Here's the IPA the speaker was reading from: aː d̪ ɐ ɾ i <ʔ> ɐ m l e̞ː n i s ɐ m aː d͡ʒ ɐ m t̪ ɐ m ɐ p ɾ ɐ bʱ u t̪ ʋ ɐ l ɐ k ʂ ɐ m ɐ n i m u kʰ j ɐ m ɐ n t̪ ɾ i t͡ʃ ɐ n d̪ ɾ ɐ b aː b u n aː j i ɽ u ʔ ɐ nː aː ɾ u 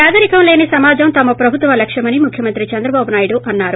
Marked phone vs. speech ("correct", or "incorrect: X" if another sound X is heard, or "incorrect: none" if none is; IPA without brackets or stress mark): incorrect: k